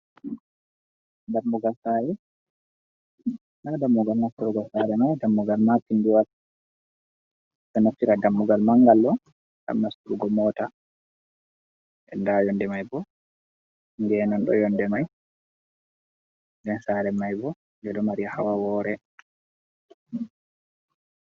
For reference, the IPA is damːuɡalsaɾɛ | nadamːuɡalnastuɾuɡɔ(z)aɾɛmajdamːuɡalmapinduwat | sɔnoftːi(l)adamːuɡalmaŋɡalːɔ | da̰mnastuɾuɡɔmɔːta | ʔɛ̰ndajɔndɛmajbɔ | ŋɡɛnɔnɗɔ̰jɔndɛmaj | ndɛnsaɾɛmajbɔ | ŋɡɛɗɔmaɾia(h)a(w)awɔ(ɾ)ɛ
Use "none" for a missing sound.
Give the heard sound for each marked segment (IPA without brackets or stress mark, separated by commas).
s, ɾ, h, w, ɾ